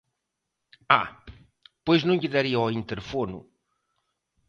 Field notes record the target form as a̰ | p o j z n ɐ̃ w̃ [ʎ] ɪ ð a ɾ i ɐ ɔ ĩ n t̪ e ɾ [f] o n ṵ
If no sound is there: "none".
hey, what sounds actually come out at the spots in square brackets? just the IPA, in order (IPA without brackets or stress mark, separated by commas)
ʎ, f